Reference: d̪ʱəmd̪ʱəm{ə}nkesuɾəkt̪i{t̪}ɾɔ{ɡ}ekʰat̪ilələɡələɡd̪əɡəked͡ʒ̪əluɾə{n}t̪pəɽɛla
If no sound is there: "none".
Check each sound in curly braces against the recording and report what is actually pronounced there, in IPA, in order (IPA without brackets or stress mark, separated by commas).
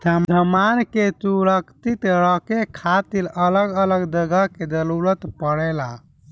a, t̪, k, none